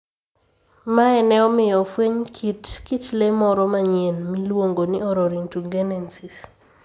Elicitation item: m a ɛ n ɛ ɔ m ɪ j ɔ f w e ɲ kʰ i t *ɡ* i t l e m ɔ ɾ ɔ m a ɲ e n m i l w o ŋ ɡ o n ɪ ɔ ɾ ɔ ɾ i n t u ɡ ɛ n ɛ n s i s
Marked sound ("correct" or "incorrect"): incorrect